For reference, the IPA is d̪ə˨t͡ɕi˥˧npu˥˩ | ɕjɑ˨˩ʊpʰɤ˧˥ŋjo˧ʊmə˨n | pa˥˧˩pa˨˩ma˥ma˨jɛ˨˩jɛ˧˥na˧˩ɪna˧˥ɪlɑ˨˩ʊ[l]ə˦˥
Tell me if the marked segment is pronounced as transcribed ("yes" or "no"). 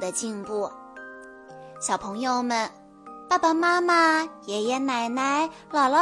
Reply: yes